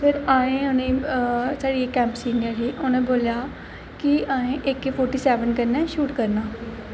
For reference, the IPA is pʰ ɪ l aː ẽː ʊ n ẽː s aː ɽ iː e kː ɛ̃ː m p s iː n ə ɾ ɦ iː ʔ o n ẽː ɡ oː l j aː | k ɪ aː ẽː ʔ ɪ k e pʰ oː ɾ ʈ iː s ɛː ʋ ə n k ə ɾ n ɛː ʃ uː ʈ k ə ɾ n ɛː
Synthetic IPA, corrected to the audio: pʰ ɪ ɾ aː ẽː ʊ n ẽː s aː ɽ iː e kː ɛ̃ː m p s iː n ə ɾ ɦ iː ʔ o n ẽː b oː l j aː | k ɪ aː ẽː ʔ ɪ k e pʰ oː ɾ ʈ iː s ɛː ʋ ə n k ə ɾ n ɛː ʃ uː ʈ k ə ɾ n aː